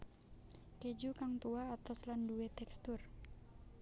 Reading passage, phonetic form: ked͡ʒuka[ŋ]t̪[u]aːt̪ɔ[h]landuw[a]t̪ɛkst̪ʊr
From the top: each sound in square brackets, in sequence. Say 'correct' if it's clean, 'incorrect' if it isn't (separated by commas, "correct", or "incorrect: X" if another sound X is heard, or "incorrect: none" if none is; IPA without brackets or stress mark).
correct, correct, incorrect: s, incorrect: e